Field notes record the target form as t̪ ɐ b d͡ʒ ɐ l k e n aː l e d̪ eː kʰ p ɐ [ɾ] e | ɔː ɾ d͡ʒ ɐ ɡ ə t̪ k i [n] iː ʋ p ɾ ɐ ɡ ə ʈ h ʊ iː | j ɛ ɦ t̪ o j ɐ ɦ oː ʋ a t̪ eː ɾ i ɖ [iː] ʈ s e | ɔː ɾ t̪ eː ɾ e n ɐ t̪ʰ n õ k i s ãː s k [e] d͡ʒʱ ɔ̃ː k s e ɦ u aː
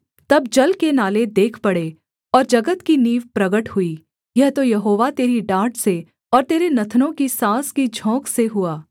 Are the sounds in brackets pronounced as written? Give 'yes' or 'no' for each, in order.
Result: no, yes, no, no

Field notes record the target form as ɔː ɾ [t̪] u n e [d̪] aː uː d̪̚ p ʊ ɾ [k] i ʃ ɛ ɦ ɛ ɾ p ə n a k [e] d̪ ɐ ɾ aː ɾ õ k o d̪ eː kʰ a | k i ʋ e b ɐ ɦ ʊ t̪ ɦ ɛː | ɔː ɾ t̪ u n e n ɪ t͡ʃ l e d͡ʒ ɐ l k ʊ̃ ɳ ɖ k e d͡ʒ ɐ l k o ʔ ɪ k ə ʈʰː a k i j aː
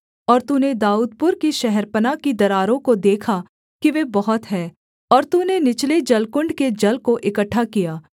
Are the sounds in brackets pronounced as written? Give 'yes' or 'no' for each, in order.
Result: yes, yes, yes, no

